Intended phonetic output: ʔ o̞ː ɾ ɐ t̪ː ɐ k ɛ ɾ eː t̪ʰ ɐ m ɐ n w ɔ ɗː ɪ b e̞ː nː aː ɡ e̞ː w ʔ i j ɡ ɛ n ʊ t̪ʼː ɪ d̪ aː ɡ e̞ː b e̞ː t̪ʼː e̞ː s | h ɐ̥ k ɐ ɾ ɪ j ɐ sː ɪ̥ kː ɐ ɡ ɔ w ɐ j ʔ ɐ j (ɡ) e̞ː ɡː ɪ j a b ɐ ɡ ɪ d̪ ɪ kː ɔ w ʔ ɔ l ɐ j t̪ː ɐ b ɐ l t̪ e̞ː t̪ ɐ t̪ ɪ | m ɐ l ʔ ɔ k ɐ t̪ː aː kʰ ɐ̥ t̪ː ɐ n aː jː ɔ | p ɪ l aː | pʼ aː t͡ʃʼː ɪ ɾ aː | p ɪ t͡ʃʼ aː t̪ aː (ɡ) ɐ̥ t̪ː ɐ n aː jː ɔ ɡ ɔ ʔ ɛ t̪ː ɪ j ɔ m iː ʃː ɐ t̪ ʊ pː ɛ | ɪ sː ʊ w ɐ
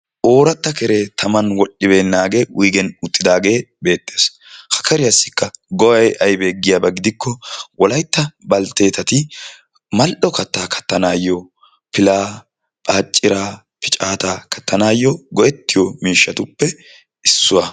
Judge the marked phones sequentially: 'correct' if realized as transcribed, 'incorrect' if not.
incorrect: b, incorrect: k

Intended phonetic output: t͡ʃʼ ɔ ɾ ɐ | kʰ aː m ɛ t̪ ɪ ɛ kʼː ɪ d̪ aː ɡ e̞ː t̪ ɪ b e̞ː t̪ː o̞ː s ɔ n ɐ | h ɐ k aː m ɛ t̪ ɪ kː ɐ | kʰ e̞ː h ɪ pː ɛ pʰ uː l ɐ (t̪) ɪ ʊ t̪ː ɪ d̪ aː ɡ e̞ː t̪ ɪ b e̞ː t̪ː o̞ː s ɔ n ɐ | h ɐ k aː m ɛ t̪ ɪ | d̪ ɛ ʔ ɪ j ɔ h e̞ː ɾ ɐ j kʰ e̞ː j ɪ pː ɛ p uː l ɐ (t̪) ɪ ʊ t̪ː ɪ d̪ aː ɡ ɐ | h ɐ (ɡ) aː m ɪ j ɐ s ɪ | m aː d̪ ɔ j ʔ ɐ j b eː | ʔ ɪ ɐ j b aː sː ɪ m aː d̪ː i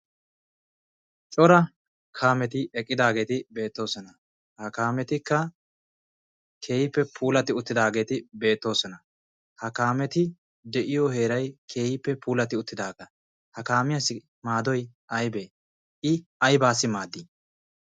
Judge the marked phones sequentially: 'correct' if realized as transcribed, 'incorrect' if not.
correct, correct, incorrect: k

